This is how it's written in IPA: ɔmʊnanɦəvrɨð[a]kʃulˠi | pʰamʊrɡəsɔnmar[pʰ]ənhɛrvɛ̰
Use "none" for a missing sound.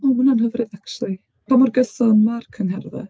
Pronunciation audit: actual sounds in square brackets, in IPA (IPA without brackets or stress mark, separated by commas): a, kʰ